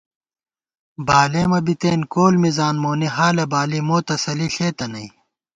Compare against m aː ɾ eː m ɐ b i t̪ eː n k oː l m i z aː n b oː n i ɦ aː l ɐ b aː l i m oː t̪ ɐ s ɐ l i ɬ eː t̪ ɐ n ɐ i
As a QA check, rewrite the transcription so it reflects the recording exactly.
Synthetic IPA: b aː l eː m ɐ b i t̪ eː n k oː l m i z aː n m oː n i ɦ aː l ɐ b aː l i m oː t̪ ɐ s ɐ l i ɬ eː t̪ ɐ n ɐ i